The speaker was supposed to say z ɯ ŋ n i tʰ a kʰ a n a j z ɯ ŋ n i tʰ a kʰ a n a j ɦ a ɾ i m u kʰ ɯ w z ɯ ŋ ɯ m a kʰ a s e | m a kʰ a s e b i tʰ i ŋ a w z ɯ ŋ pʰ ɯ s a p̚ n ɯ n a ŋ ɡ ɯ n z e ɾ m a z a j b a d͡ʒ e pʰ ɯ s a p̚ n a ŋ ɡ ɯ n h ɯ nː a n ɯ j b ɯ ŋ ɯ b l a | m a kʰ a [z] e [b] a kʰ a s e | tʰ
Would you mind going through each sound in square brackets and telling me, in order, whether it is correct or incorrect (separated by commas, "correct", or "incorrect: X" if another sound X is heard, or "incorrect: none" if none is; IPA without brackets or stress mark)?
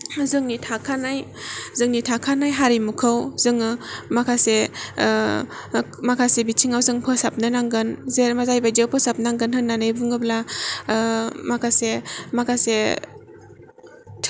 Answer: incorrect: s, incorrect: m